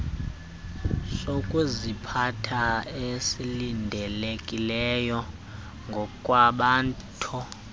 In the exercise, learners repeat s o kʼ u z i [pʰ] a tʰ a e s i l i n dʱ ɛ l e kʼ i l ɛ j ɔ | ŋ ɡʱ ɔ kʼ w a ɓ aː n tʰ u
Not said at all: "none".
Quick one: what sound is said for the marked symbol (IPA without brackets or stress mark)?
pʰ